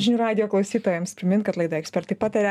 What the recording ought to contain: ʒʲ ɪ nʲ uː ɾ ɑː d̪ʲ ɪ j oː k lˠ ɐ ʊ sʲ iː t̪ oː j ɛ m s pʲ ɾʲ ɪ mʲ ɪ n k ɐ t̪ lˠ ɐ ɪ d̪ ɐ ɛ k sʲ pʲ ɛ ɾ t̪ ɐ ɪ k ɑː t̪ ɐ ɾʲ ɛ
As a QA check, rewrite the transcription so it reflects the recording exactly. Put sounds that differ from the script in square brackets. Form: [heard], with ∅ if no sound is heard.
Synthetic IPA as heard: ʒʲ ɪ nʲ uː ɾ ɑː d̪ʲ ɪ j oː k lˠ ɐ ʊ sʲ iː t̪ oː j ɛ m s pʲ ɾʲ ɪ mʲ ɪ n k ɐ t̪ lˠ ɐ ɪ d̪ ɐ ɛ k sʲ pʲ ɛ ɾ t̪ ɐ ɪ [p] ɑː t̪ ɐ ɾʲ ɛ